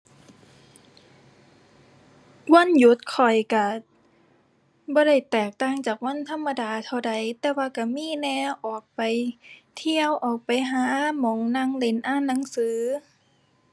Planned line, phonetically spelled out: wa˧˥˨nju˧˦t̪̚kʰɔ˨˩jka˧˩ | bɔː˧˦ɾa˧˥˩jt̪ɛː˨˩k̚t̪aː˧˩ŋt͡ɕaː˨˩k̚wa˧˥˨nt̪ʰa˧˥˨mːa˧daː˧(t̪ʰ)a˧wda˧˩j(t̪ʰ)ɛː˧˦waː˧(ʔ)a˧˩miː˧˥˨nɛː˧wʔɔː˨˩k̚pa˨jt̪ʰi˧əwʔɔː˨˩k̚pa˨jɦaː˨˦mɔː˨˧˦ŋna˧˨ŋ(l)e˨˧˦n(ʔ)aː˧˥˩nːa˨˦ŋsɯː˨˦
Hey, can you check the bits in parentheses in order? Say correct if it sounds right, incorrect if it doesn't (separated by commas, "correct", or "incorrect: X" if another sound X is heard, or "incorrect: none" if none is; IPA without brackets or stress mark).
correct, incorrect: t̪, incorrect: k, correct, correct